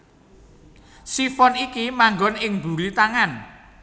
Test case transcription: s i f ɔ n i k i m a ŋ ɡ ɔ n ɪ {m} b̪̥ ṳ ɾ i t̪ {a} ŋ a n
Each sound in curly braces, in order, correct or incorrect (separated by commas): incorrect, correct